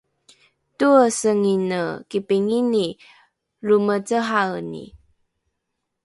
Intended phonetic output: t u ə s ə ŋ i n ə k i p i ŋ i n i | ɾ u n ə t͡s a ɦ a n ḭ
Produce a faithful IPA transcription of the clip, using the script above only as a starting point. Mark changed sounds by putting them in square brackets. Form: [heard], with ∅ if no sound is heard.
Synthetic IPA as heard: t u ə s ə ŋ i n ə k i p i ŋ i n i | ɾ u [m] ə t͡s [ə] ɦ a n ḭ